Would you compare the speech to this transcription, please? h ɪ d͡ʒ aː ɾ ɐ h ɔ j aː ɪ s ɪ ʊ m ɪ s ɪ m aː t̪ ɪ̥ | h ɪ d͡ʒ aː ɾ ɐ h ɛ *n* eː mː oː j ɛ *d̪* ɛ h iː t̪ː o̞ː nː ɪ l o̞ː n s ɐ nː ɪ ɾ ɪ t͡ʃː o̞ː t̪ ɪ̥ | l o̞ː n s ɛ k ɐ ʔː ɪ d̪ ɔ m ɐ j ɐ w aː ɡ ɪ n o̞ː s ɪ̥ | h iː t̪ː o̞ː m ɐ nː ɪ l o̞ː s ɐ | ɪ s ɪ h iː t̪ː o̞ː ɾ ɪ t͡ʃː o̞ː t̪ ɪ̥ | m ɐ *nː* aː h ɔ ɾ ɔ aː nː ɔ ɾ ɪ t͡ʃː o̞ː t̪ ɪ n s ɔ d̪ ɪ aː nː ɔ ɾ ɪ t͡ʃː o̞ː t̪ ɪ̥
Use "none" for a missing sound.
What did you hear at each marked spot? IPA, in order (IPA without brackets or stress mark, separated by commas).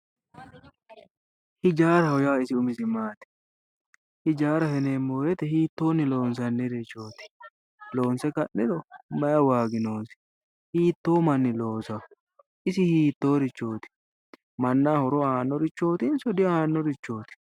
n, t̪, nː